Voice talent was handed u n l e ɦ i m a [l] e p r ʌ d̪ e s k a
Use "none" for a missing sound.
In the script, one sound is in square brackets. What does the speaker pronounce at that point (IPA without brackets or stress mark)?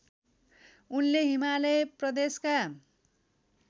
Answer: l